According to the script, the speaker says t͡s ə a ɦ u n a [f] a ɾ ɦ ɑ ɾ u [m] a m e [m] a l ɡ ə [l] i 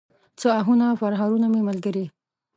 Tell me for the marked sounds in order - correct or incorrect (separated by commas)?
correct, incorrect, correct, incorrect